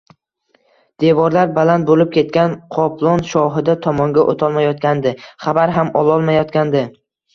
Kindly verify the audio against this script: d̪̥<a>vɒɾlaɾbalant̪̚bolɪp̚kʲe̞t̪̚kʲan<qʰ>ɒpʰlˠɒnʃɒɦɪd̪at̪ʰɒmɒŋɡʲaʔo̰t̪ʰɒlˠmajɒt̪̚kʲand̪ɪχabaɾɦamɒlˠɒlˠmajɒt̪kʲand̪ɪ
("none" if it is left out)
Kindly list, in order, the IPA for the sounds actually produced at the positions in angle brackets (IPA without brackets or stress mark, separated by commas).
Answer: e, qʰ